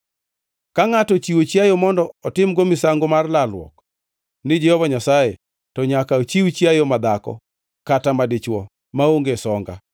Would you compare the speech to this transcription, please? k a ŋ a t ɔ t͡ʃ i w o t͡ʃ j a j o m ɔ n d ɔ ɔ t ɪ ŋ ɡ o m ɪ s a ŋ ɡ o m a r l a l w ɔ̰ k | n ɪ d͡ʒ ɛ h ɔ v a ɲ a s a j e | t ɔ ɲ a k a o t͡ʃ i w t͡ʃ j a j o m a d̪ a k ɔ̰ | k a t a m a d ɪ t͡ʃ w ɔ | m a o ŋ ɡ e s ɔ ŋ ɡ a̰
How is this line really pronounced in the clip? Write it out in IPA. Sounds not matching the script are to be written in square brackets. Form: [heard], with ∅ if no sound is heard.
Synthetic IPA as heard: k a ŋ a t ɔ t͡ʃ i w o t͡ʃ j a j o m ɔ n d ɔ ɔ t ɪ [m] ɡ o m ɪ s a ŋ ɡ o m a r l a l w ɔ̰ k | n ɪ d͡ʒ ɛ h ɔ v a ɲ a s a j e | t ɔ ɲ a k a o t͡ʃ i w t͡ʃ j a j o m a d̪ a k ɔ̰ | k a t a m a d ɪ t͡ʃ w ɔ | m a o ŋ ɡ e s ɔ ŋ ɡ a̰